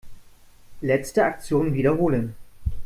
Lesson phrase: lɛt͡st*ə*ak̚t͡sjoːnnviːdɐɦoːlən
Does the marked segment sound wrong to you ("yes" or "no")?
no